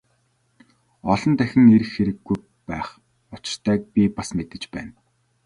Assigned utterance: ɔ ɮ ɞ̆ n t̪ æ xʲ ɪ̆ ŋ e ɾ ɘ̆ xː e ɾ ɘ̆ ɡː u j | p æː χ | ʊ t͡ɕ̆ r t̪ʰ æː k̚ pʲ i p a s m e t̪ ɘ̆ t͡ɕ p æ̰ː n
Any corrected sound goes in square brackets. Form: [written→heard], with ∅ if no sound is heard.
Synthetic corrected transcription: ɔ ɮ ɞ̆ n t̪ æ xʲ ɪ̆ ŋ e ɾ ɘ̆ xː e ɾ ɘ̆ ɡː u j | p æː χ | ʊ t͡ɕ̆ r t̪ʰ æː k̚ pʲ i p a s m e t̪ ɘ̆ t͡ɕ p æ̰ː n

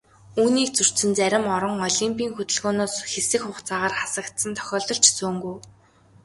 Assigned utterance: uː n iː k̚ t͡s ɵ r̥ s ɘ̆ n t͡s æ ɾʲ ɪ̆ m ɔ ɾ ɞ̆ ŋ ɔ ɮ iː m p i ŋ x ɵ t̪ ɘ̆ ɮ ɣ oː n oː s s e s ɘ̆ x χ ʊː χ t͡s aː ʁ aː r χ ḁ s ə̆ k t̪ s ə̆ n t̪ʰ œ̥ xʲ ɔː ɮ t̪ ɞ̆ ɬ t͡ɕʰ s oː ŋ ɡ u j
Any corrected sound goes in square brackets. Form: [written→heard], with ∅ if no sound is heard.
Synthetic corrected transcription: uː n iː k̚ t͡s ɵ r̥ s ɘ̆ n t͡s æ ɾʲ ɪ̆ m ɔ ɾ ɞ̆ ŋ ɔ ɮ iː m p [i→iː] ŋ x ɵ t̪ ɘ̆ ɮ ɣ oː n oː s [s→x] e s ɘ̆ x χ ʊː χ t͡s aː ʁ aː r χ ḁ s ə̆ k t̪ s ə̆ n t̪ʰ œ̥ xʲ ɔː ɮ t̪ ɞ̆ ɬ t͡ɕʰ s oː ŋ ɡ u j

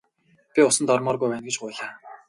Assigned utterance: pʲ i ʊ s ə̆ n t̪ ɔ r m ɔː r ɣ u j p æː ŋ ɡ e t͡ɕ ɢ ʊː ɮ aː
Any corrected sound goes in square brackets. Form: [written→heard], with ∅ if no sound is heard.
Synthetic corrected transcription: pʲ i ʊ s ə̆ n t̪ ɔ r m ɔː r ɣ u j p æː [ŋ→n] ɡ e t͡ɕ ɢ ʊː ɮ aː

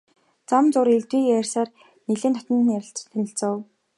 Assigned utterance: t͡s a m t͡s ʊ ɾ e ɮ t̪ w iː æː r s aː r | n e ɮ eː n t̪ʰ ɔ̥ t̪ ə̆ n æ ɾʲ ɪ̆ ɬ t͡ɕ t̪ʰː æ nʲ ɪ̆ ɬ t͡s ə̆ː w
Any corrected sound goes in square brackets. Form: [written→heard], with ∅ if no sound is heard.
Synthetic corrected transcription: t͡s a m t͡s ʊ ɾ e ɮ t̪ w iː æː r s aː r | n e ɮ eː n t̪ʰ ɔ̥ t̪ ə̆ n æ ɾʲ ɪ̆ ɬ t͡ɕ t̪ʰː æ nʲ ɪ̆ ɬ t͡s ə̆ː w

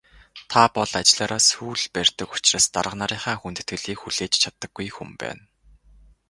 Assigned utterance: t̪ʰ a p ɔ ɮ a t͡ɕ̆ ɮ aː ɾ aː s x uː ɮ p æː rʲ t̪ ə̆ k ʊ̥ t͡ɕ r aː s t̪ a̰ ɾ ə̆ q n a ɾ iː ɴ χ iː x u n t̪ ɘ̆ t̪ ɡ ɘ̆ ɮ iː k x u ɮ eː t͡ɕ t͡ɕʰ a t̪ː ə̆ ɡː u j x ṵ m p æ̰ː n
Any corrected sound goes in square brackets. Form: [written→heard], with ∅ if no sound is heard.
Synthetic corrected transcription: t̪ʰ a p ɔ ɮ a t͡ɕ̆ ɮ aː ɾ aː s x uː ɮ p [æː→æ] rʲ t̪ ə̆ k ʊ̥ t͡ɕ r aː s t̪ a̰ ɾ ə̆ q n a ɾ iː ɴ χ [iː→aː] x u n t̪ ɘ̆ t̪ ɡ ɘ̆ ɮ iː k x u ɮ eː t͡ɕ t͡ɕʰ a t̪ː ə̆ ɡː u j x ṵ m p æ̰ː n

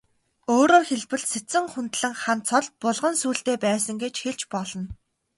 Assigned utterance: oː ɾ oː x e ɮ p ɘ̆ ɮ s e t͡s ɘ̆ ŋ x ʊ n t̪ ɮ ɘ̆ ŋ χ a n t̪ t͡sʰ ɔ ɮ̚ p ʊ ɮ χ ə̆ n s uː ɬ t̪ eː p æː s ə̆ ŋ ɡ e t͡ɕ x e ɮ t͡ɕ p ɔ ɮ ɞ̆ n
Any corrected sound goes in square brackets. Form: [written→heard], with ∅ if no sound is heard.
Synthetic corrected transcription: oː ɾ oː x e ɮ p ɘ̆ ɮ s e t͡s ɘ̆ ŋ [x→χ] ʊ n t̪ ɮ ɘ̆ ŋ χ a n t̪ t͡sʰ ɔ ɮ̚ p ʊ ɮ [χ→ʁ] ə̆ n s uː ɬ t̪ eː p æː s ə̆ ŋ ɡ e t͡ɕ x e ɮ t͡ɕ p ɔ ɮ ɞ̆ n

